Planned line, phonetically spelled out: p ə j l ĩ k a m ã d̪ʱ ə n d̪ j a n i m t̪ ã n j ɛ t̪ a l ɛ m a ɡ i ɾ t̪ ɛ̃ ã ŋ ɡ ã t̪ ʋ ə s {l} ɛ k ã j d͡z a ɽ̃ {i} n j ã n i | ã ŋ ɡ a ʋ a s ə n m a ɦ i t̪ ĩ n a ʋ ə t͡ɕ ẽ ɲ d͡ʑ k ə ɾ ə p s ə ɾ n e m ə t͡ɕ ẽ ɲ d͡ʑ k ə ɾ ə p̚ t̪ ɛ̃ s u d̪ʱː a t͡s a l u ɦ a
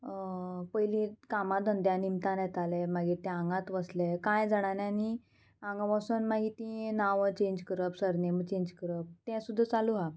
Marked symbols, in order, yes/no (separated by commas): yes, no